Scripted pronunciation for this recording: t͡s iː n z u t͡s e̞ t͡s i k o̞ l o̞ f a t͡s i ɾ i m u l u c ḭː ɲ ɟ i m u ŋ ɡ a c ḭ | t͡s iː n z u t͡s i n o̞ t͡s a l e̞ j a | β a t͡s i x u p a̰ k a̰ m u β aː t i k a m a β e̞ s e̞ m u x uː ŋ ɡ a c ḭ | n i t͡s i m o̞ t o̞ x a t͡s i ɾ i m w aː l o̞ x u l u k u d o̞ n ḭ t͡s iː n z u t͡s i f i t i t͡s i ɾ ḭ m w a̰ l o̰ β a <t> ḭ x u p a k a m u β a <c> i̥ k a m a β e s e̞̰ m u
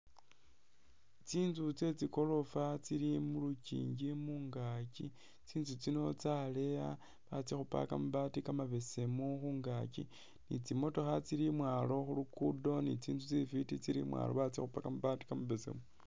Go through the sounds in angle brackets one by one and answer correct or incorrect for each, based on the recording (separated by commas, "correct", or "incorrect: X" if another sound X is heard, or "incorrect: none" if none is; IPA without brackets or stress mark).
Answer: incorrect: t͡s, incorrect: t